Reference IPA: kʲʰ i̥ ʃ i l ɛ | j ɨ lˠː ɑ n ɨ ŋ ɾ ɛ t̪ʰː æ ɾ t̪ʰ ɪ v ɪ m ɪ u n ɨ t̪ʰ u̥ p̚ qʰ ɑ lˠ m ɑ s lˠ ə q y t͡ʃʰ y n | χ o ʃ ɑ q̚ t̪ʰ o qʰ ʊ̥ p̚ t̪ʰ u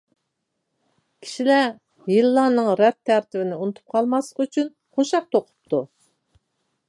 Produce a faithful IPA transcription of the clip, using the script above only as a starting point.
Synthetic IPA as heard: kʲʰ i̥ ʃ i l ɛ | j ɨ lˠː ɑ n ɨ ŋ ɾ ɛ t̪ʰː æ ɾ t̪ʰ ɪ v ɪ n ɪ u n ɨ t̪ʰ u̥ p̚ qʰ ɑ lˠ m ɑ s lˠ ə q y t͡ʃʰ y n | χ o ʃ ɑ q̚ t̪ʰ o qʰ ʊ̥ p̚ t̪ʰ u